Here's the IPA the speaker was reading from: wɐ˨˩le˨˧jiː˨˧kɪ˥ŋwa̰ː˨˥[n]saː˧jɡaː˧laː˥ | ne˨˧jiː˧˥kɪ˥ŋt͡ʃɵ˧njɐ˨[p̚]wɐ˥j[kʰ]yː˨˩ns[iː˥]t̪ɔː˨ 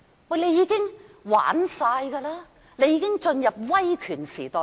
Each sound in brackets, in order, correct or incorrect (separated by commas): correct, correct, correct, incorrect